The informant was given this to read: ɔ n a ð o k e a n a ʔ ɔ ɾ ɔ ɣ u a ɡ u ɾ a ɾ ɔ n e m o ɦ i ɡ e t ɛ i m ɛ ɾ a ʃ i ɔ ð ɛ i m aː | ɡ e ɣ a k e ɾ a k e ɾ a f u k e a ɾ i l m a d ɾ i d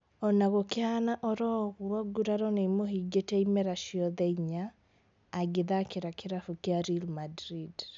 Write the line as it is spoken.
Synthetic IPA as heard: ɔ n a ɣ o k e a n a ʔ ɔ ɾ ɔ ɣ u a ɡ u ɾ a ɾ ɔ n e m o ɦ i ɡ e t ɛ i m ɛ ɾ a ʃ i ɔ ð ɛ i ɲ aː | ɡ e ð a k e ɾ a k e ɾ a f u k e a ɾ i l m a d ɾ i d